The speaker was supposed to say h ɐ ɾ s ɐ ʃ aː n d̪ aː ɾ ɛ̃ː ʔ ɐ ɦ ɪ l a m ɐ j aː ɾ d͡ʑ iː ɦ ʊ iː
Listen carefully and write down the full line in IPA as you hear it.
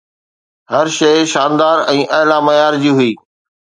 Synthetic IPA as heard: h ɐ ɾ ʃ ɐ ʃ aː n d̪ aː ɾ ɛ̃ː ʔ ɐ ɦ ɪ l a m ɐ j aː ɾ d͡ʑ iː ɦ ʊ iː